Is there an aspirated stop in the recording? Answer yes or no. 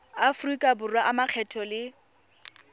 yes